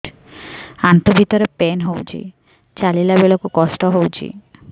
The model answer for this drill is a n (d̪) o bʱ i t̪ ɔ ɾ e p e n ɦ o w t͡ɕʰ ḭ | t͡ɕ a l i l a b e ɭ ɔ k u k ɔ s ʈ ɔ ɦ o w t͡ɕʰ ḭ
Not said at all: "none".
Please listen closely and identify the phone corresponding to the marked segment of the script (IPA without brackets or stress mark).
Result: t̪